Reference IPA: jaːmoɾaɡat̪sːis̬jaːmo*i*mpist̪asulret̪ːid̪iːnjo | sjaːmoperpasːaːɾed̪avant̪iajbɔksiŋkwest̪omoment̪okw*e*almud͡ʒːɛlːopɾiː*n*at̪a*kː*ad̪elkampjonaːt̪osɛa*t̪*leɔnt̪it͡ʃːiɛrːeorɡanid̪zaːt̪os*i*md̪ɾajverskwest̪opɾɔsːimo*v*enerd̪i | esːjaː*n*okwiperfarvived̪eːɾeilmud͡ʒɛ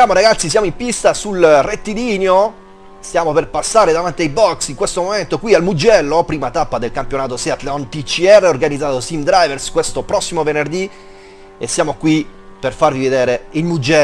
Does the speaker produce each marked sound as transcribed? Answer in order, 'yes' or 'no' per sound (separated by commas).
yes, no, no, no, yes, yes, yes, no